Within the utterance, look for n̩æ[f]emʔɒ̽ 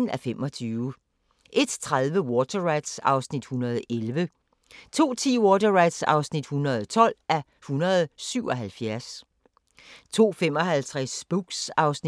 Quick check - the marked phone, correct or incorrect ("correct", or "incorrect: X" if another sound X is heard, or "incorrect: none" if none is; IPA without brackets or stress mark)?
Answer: correct